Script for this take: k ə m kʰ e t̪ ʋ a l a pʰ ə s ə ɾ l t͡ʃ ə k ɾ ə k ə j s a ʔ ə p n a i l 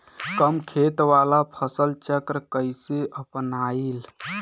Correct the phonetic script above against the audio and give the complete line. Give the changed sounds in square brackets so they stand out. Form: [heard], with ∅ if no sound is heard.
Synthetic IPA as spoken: k ə m kʰ e t̪ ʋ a l a pʰ ə s ə [∅] l t͡ʃ ə k ɾ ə k ə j s [e] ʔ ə p n a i l